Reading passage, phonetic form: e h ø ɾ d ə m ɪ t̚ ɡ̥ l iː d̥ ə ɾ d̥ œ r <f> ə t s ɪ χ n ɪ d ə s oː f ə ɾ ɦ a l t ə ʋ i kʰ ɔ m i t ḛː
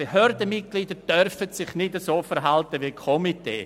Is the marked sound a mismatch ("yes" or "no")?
no